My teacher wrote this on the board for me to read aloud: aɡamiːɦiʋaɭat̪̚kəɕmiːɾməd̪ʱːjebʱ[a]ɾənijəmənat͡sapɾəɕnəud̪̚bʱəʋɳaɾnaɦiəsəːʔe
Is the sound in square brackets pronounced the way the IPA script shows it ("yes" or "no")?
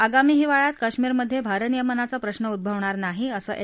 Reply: yes